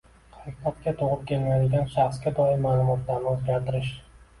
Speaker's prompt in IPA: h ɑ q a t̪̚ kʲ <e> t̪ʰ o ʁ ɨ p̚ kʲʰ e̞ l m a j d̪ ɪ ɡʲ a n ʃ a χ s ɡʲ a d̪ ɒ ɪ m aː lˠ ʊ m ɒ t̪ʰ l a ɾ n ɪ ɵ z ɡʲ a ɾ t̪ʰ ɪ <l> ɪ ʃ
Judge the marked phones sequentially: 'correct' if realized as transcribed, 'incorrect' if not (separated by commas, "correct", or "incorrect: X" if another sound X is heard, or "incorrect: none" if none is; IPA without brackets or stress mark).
incorrect: a, incorrect: ɾ